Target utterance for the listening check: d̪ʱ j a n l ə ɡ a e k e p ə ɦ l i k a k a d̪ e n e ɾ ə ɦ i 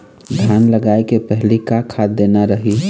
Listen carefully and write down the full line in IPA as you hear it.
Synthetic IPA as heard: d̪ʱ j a n l ə ɡ a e k e p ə ɦ l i k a kʰ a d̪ e n a ɾ ə ɦ i